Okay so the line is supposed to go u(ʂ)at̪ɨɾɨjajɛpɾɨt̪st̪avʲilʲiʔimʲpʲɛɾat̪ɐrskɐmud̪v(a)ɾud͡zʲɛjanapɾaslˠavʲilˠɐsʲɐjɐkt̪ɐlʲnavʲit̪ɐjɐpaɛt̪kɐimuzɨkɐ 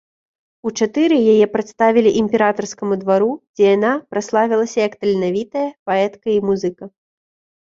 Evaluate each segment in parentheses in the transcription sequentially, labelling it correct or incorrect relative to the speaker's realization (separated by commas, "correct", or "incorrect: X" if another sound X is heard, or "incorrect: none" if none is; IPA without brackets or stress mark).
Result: incorrect: t͡ʂ, correct